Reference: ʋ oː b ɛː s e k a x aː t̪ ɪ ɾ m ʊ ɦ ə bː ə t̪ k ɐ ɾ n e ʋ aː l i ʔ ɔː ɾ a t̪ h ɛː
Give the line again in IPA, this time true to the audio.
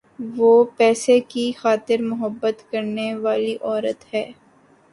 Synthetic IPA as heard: ʋ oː p ɛː s e k i x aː t̪ ɪ ɾ m ʊ ɦ ə bː ə t̪ k ɐ ɾ n e ʋ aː l i ʔ ɔː ɾ ə t̪ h ɛː